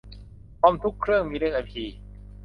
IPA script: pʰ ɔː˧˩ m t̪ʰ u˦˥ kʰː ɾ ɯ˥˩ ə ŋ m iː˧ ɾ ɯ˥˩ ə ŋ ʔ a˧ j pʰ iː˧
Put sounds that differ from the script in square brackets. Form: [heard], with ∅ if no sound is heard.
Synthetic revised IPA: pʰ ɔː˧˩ m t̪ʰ u˦˥ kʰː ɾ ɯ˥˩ ə ŋ m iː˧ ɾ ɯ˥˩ ə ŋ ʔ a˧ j pʰ iː˧